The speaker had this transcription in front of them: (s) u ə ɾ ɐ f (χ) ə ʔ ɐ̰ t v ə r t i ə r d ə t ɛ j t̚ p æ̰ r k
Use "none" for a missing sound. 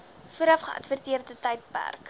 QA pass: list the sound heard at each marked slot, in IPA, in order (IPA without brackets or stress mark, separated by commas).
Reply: f, χ